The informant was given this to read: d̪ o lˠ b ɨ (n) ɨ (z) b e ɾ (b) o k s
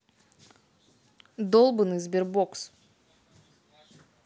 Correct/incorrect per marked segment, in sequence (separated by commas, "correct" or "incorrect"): correct, correct, correct